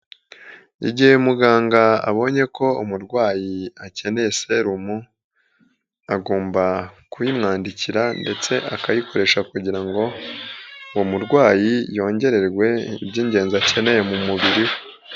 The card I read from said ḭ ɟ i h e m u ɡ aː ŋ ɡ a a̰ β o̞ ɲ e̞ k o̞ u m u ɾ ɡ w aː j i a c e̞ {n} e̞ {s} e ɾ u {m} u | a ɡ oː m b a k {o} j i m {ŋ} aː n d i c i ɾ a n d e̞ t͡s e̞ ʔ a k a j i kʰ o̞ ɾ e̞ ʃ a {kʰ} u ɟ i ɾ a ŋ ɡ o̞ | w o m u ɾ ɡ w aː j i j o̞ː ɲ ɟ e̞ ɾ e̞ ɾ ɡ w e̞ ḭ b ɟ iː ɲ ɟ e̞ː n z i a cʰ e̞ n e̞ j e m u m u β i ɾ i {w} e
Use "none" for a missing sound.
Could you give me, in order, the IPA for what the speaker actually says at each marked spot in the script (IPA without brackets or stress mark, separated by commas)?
n, s, m, u, ŋ, k, w